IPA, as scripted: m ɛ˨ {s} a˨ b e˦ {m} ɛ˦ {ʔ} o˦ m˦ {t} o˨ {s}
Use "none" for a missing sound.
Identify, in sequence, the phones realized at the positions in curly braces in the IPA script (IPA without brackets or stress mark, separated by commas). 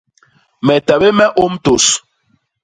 t, m, ʔ, t, s